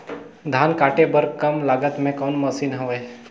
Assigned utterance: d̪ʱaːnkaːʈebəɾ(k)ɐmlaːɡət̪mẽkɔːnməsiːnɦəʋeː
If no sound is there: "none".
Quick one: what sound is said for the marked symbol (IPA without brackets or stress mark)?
k